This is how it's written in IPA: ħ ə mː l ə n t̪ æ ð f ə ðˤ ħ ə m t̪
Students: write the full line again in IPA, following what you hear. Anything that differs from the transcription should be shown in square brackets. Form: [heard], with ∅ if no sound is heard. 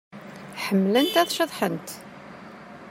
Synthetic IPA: ħ ə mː l ə n t̪ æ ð [ʃ] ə ðˤ ħ ə [n] t̪